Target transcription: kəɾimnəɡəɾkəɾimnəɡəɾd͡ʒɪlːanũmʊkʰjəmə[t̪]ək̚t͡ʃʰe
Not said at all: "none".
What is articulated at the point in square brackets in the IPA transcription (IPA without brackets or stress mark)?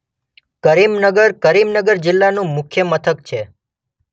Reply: t̪ʰ